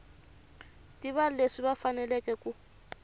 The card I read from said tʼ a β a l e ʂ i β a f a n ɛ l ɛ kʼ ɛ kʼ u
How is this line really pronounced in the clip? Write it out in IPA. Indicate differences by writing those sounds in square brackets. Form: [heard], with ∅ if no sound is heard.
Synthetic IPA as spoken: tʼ [i] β a l e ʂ i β a f a n ɛ l ɛ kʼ ɛ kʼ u